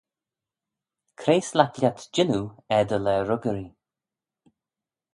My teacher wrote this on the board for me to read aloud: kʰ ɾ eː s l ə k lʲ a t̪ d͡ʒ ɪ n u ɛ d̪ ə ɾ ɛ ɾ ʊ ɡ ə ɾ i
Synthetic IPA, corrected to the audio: kʰ ɾ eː s l a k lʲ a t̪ d͡ʒ ɪ n u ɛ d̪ ə l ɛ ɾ ʊ ɡ ə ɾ i